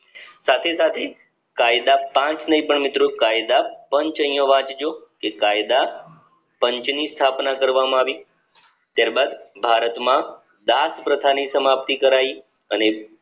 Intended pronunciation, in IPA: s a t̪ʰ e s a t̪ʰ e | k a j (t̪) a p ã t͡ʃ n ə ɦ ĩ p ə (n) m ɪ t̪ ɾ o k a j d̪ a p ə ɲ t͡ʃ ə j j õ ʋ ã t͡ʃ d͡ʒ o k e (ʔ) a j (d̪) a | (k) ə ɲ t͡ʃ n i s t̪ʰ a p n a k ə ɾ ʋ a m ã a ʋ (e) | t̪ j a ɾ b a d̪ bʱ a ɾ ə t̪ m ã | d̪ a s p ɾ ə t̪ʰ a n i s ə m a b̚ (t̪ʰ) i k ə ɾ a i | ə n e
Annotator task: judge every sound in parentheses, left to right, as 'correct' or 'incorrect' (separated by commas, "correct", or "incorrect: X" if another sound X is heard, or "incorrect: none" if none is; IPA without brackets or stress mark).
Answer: incorrect: d̪, incorrect: ɳ, incorrect: k, correct, incorrect: p, incorrect: i, incorrect: t̪